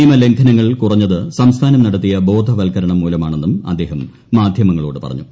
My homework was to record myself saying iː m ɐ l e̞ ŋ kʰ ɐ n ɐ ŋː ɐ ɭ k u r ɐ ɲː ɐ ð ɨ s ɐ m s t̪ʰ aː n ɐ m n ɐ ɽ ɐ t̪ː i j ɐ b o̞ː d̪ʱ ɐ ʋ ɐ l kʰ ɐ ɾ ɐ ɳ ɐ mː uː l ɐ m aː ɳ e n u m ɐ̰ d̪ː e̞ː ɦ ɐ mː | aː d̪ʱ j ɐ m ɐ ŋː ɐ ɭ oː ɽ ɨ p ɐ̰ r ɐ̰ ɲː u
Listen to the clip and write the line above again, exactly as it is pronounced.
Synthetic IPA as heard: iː m ɐ l e̞ ŋ kʰ ɐ n ɐ ŋː ɐ ɭ k u r ɐ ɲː ɐ ð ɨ s ɐ m s t̪ʰ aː n ɐ m n ɐ ɽ ɐ t̪ː i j ɐ b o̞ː d̪ʱ ɐ ʋ ɐ l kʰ ɐ ɾ ɐ ɳ ɐ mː uː l ɐ m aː ɳ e nː u m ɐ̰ d̪ː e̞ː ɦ ɐ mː | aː d̪ʱ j ɐ m ɐ ŋː ɐ ɭ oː ɽ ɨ p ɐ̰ r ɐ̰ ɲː u

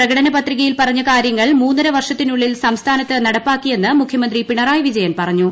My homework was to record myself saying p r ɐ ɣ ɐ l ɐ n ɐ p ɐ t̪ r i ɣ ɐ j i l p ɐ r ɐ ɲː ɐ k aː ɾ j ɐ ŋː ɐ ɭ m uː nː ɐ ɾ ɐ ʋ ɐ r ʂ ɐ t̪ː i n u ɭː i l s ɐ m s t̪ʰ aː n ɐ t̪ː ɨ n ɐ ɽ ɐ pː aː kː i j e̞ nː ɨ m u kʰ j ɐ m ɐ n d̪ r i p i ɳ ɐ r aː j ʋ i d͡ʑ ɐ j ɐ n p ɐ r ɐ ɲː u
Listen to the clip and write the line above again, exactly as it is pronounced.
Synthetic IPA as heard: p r ɐ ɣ ɐ ɽ ɐ n ɐ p ɐ t̪ r i ɣ ɐ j i l p ɐ r ɐ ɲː ɐ k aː ɾ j ɐ ŋː ɐ ɭ m uː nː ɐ ɾ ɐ ʋ ɐ r ʂ ɐ t̪ː i n u ɭː i l s ɐ m s t̪ʰ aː n ɐ t̪ː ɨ n ɐ ɽ ɐ pː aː kː i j e̞ nː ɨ m u kʰ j ɐ m ɐ n d̪ r i p i ɳ ɐ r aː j ʋ i d͡ʑ ɐ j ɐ n p ɐ r ɐ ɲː u

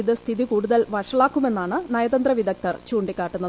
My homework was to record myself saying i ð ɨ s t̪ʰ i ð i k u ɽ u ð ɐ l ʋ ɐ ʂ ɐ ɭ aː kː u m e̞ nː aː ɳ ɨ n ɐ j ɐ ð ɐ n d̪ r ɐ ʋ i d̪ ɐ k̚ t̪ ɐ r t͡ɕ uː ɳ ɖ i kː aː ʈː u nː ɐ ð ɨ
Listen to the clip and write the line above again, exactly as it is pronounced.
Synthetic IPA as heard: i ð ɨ s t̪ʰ i ð i k uː ɽ u ð ɐ l ʋ ɐ ʂ ɐ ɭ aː kː u m e̞ nː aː ɳ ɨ n ɐ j ɐ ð ɐ n d̪ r ɐ ʋ i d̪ ɐ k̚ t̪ ɐ r t͡ɕ uː ɳ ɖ i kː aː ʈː u nː ɐ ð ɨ

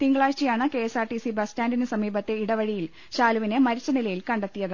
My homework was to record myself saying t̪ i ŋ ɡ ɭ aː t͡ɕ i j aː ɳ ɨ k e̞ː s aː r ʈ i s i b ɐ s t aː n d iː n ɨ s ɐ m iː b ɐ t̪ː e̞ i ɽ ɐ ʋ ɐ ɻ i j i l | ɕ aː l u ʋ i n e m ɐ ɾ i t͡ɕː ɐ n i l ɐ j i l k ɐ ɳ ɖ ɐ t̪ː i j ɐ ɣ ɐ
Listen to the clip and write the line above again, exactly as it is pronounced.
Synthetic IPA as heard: t̪ i ŋ ɡ ɭ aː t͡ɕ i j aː ɳ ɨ k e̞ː s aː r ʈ i s i b ɐ s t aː n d i n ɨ s ɐ m iː b ɐ t̪ː e̞ i ɽ ɐ ʋ ɐ ɻ i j i l | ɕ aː l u ʋ i n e m ɐ ɾ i t͡ɕː ɐ n i l ɐ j i l k ɐ ɳ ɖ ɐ t̪ː i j ɐ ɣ ɐ

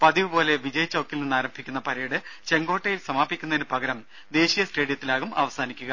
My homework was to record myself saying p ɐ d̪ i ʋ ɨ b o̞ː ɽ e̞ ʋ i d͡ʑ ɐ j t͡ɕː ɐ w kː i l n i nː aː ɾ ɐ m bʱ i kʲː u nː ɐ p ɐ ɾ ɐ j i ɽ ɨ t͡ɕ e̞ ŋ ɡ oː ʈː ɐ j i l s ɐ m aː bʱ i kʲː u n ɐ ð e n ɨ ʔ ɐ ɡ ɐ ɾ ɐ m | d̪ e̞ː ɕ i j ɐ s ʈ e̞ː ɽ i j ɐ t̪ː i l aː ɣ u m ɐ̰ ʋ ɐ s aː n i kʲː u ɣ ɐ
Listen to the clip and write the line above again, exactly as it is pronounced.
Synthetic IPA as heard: p ɐ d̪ i ʋ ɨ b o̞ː l e̞ ʋ i d͡ʑ ɐ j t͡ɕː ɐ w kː i l n i nː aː ɾ ɐ m bʱ i kʲː u nː ɐ p ɐ ɾ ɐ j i ɽ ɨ t͡ɕ e̞ ŋ ɡ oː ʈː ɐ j i l s ɐ m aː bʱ i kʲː u n ɐ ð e n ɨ p ɐ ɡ ɐ ɾ ɐ m | d̪ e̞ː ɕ i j ɐ s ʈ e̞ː ɽ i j ɐ t̪ː i l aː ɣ u m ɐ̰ ʋ ɐ s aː n i kʲː u ɣ ɐ

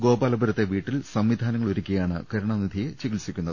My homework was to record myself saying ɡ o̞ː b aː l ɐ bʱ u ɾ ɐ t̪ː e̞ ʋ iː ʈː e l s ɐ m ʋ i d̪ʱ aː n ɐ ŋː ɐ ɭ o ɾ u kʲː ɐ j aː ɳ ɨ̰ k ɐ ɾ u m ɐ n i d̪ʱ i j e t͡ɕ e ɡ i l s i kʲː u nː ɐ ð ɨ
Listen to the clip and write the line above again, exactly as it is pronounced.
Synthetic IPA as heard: ɡ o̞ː b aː l ɐ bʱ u ɾ ɐ t̪ː e̞ ʋ iː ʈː i l s ɐ m ʋ i d̪ʱ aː n ɐ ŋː ɐ ɭ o ɾ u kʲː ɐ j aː ɳ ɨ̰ k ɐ ɾ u ɳ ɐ n i d̪ʱ i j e t͡ɕ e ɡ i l s i kʲː u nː ɐ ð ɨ

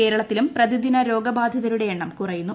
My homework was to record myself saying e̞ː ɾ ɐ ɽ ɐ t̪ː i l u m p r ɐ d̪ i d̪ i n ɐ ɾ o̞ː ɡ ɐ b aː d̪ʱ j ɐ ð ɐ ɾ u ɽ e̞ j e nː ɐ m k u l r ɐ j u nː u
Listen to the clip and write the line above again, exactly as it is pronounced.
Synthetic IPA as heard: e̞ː ɾ ɐ ɭ ɐ t̪ː i l u m p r ɐ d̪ i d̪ i n ɐ ɾ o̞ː ɡ ɐ b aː d̪ʱ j ɐ ð ɐ ɾ u ɽ e̞ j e ɳː ɐ m k u r ɐ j u nː u

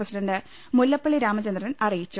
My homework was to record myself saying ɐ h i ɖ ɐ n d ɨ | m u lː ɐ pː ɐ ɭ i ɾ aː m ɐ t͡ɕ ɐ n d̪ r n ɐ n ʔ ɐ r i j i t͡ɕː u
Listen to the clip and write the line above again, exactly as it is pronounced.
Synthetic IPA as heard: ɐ s i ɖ ɐ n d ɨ | m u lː ɐ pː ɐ ɭ i ɾ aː m ɐ t͡ɕ ɐ n d̪ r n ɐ n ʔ ɐ r i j i t͡ɕː u

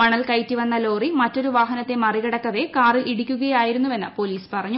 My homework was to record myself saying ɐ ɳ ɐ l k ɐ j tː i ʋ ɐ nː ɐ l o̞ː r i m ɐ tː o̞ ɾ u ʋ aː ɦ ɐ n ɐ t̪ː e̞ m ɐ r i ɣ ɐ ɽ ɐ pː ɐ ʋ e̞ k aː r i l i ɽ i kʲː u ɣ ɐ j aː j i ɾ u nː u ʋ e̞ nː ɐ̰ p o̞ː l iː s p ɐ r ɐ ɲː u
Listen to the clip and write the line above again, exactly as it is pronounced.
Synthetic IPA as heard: ɐ ɳ ɐ l k ɐ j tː i ʋ ɐ nː ɐ l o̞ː r i m ɐ tː o̞ ɾ u ʋ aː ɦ ɐ n ɐ t̪ː e̞ m ɐ r i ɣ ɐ ɽ ɐ kː ɐ ʋ e̞ k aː r i l i ɽ i kʲː u ɣ ɐ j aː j i ɾ u nː u ʋ e̞ nː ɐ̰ p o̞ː l iː s p ɐ r ɐ ɲː u

